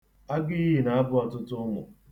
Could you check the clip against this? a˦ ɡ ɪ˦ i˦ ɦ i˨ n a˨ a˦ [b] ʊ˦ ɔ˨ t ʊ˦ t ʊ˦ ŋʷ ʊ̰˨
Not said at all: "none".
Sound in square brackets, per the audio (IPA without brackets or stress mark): b